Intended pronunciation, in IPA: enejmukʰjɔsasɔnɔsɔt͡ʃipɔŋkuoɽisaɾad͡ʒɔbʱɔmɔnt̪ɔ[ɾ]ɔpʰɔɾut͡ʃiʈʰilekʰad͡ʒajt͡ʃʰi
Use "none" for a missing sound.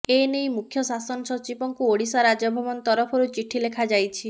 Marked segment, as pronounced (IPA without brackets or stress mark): ɾ